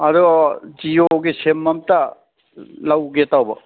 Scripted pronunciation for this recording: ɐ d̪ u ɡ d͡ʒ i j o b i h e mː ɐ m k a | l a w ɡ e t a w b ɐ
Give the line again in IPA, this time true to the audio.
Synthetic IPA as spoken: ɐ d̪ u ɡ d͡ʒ i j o ɡ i s e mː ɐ m t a | l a w ɡ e t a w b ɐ